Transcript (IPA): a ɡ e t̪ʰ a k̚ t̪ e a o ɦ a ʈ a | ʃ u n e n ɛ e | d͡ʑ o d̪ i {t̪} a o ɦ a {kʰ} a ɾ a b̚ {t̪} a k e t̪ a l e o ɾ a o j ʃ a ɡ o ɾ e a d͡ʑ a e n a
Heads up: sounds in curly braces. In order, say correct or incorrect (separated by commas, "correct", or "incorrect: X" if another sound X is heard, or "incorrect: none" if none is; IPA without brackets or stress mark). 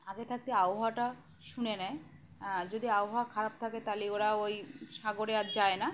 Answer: incorrect: none, correct, incorrect: t̪ʰ